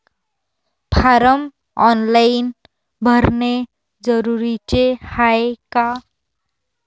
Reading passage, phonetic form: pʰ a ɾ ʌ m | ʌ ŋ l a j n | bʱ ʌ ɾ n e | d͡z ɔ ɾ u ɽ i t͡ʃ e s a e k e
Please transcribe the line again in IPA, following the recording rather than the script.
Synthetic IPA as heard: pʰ a ɾ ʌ m | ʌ n l a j n | bʱ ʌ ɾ n e | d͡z ʌ ɾ u ɾ i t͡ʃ e h a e k a